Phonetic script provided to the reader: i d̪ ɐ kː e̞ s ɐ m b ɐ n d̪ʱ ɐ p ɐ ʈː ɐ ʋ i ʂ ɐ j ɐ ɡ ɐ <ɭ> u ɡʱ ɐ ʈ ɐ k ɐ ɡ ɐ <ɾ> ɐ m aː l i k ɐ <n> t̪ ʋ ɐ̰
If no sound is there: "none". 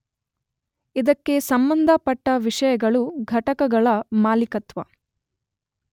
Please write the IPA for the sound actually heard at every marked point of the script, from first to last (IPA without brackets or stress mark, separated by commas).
ɭ, ɭ, none